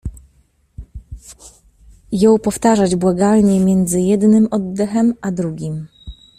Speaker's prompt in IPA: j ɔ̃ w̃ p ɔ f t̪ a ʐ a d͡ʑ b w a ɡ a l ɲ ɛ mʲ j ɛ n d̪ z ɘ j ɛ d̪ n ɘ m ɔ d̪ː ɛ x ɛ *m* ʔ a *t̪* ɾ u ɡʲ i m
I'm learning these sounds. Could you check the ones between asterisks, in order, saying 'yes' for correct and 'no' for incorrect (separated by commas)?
yes, no